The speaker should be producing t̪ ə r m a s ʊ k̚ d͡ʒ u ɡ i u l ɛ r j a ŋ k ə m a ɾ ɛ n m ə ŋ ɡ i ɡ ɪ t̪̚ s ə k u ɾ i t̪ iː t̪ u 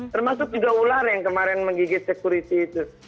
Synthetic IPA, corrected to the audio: t̪ ə r m a s ʊ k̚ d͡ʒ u ɡ a u l a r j a ŋ k ə m a ɾ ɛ n m ə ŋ ɡ i ɡ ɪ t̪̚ s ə k u ɾ i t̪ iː t̪ u